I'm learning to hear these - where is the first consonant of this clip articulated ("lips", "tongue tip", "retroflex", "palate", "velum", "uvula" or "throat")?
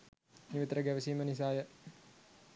tongue tip